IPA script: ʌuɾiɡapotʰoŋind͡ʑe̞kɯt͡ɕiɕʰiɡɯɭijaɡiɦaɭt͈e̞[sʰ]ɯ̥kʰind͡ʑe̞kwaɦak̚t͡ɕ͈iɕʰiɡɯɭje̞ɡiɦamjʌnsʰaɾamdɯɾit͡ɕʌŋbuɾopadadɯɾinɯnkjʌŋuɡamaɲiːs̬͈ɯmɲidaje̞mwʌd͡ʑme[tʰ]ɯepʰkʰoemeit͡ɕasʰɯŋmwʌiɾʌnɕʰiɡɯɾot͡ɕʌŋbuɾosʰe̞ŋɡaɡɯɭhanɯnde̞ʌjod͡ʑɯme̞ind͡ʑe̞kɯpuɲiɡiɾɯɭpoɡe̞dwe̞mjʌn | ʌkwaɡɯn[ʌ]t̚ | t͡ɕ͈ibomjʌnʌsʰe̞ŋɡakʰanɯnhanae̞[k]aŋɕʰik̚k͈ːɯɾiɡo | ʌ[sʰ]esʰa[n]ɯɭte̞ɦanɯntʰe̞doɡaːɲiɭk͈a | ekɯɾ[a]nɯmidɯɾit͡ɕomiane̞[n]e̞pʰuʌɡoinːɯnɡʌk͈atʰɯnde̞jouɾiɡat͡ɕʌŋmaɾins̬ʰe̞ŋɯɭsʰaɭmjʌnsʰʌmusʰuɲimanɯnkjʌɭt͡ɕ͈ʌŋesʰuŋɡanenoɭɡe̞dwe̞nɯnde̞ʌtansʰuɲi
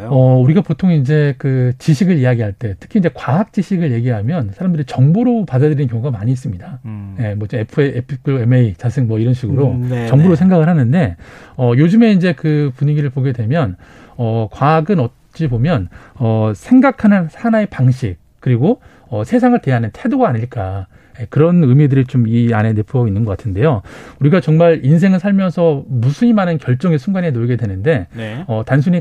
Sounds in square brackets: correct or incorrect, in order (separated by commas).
incorrect, incorrect, correct, incorrect, correct, incorrect, incorrect, correct